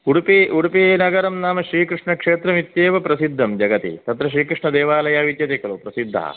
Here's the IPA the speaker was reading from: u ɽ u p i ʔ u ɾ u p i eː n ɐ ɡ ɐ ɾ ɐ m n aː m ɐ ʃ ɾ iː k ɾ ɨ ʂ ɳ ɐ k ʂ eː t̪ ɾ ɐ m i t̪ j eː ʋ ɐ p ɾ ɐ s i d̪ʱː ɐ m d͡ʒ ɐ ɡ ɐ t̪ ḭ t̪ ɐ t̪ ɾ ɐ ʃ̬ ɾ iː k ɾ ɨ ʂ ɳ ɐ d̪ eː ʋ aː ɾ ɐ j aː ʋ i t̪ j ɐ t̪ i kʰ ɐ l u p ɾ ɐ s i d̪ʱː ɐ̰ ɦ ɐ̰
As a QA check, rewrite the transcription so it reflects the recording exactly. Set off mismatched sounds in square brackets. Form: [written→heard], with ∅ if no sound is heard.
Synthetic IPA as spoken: u ɽ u p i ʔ u [ɾ→ɽ] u p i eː n ɐ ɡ ɐ ɾ ɐ m n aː m ɐ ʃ ɾ iː k ɾ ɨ ʂ ɳ ɐ k ʂ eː t̪ ɾ ɐ m i t̪ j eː ʋ ɐ p ɾ ɐ s i d̪ʱː ɐ m d͡ʒ ɐ ɡ ɐ t̪ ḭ t̪ ɐ t̪ ɾ ɐ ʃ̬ ɾ iː k ɾ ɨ ʂ ɳ ɐ d̪ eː ʋ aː [ɾ→l] ɐ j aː ʋ i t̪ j ɐ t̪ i [kʰ→k] ɐ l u p ɾ ɐ s i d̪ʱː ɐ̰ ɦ ɐ̰